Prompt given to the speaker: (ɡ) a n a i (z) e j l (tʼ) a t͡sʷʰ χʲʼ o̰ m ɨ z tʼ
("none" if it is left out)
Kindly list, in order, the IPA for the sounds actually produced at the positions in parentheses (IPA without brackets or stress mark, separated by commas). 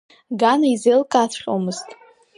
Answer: ɡ, z, kʼ